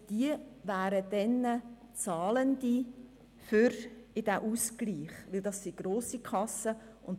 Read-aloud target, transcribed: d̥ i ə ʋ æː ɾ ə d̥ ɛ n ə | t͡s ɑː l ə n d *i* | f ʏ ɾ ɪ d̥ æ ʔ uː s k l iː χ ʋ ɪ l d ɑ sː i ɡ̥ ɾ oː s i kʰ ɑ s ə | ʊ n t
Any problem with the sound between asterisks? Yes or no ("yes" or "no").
no